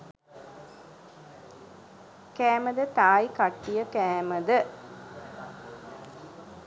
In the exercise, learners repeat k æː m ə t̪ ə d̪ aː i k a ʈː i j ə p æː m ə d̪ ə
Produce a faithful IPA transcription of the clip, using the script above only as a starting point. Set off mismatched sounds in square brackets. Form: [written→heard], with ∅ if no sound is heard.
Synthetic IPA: k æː m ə [t̪→d̪] ə [d̪→t̪] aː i k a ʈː i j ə [p→k] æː m ə d̪ ə